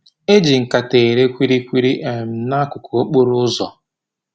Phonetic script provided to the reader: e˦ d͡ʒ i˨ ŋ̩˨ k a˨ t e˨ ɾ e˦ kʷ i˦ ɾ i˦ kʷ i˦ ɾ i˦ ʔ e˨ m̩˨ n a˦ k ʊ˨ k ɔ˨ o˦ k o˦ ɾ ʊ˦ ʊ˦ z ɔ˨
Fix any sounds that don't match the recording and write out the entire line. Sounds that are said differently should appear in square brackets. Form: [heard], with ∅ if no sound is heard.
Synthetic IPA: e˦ d͡ʒ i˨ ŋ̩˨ k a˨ t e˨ ɾ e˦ kʷ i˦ ɾ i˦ kʷ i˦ ɾ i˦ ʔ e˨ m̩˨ n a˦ k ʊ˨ k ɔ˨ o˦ [k͡p] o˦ ɾ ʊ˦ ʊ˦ z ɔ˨